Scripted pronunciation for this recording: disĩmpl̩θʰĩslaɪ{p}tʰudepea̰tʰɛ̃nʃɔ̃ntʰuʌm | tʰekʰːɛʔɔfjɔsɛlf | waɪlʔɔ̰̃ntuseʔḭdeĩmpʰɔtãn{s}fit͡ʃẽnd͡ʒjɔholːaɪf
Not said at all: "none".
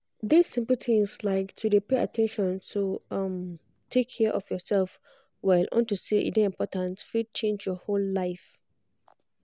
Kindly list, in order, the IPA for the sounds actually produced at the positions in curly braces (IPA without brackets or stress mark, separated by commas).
k, t